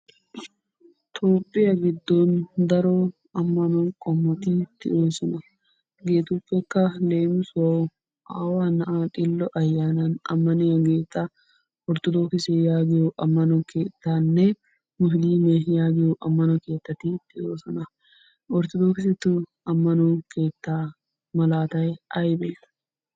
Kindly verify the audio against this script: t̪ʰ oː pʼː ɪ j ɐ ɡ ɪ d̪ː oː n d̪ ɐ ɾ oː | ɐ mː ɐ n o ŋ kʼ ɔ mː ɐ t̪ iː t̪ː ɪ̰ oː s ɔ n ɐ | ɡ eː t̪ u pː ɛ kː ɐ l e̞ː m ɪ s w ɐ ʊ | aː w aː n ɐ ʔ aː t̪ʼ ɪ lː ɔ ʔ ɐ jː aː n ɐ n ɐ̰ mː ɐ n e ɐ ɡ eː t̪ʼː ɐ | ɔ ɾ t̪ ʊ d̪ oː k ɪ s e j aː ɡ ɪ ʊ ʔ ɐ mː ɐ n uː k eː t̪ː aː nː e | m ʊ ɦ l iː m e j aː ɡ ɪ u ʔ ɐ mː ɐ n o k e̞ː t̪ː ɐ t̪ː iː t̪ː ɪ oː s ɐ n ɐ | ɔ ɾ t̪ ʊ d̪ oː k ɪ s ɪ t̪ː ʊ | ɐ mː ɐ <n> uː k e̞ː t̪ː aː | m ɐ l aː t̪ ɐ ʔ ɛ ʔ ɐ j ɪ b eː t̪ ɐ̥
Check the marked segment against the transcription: correct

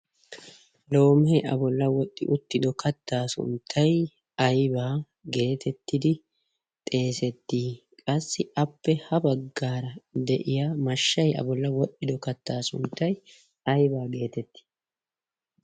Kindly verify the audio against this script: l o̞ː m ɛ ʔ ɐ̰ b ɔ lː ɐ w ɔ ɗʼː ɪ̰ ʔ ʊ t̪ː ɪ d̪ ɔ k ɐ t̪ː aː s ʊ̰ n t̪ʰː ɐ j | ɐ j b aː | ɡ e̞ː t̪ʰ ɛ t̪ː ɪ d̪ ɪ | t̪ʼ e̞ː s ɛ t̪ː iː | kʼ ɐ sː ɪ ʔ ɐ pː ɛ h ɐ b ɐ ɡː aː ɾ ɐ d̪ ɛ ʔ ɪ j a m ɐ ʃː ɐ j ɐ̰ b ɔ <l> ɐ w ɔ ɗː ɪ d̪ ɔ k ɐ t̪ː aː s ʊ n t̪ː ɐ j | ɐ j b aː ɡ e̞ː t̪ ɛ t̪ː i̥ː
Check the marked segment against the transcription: incorrect: lː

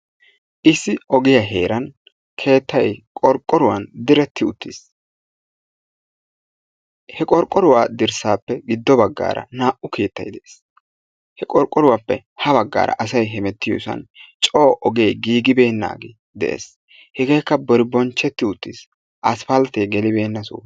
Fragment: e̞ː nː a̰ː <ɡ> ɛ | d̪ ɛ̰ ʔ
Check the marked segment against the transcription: correct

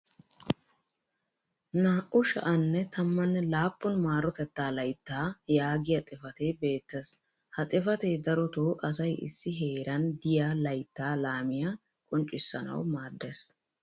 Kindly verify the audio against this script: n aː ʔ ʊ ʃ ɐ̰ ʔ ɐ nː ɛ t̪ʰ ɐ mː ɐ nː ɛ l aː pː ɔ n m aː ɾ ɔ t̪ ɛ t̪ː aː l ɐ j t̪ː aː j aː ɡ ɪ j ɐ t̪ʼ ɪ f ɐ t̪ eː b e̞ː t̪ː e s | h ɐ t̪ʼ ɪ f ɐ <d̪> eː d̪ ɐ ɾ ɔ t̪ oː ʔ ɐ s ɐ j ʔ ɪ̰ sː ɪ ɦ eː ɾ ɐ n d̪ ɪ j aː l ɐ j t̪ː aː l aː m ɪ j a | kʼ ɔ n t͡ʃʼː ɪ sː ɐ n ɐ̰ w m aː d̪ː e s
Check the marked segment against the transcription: incorrect: t̪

